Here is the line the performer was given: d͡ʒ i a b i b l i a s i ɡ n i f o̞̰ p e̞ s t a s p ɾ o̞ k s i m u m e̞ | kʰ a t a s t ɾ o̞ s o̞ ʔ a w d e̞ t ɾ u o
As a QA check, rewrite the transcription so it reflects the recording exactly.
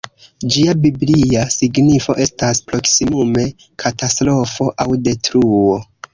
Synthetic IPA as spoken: d͡ʒ i a b i b l i a s i ɡ n i f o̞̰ ʔ e̞ s t a s p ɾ o̞ k s i m u m e̞ | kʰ a t a s t ɾ o̞ f o̞ ʔ a w d e̞ t ɾ u o